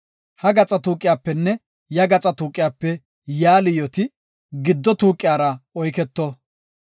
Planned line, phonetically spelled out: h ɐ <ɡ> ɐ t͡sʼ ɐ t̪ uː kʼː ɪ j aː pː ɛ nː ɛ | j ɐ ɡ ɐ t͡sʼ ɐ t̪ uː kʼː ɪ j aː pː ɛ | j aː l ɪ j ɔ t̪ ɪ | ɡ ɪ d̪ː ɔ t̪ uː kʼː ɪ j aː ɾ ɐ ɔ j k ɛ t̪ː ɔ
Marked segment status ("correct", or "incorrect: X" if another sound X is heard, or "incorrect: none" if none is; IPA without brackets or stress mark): correct